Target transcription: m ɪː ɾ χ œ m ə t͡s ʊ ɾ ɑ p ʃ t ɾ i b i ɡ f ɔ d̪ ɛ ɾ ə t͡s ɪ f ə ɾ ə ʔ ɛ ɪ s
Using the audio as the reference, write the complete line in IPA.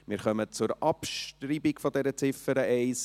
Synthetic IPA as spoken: m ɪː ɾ χ œ m ə t͡s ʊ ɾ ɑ p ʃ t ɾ i b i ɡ f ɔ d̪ ɛ ɾ ə t͡s ɪ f ə ɾ ə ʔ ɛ ɪ s